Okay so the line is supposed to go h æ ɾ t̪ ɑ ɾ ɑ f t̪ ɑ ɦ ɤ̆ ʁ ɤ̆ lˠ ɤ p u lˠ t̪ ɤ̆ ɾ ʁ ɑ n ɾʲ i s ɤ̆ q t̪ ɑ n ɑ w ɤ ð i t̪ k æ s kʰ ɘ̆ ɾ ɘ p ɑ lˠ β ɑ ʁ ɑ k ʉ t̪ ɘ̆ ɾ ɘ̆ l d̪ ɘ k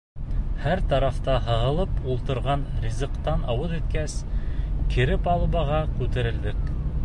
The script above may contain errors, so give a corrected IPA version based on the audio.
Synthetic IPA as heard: h æ ɾ t̪ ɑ ɾ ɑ f t̪ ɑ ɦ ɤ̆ ʁ ɤ̆ lˠ ɤ p u lˠ t̪ ɤ̆ ɾ ʁ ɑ n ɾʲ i z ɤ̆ q t̪ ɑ n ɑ w ɤ ð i t̪ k æ s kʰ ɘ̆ ɾ ɘ p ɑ lˠ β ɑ ʁ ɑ k ʉ t̪ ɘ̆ ɾ ɘ̆ l d̪ ɘ k